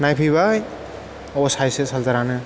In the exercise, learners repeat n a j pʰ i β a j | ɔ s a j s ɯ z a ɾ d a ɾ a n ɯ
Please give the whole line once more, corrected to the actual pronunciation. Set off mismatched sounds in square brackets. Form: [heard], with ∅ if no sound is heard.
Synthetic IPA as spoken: n a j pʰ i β a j | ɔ s a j s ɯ [s] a [l] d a ɾ a n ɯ